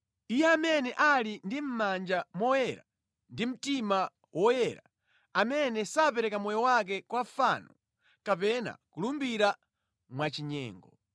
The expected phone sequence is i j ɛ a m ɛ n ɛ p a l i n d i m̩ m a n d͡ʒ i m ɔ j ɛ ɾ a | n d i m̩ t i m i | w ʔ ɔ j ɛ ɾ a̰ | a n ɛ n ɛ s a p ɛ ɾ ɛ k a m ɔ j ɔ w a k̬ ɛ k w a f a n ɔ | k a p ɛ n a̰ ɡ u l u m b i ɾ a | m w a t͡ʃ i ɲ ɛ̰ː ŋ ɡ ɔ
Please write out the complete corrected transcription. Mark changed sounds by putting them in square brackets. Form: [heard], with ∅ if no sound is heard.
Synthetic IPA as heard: i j ɛ a m ɛ n ɛ [ʔ] a l i n d i m̩ m a n d͡ʒ [a] m ɔ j ɛ ɾ a | n d i m̩ t i m [a] | w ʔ ɔ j ɛ ɾ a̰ | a [m] ɛ n ɛ s a p ɛ ɾ ɛ k a m ɔ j ɔ w a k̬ ɛ k w a f a n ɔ | k a p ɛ n a̰ [k] u l u m b i ɾ a | m w a t͡ʃ i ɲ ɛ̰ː ŋ ɡ ɔ